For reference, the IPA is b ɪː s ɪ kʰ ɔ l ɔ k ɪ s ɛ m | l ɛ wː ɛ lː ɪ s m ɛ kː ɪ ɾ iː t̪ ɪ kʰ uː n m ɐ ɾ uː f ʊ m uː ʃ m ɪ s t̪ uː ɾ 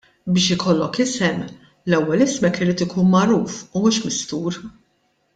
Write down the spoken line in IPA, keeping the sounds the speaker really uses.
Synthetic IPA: b ɪː ʃ ɪ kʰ ɔ lː ɔ k ɪ s ɛ m | l ɛ wː ɛ l ɪ s m ɛ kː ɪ ɾ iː t̪ ɪ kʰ uː n m ɐ ɾ uː f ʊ m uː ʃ m ɪ s t̪ uː ɾ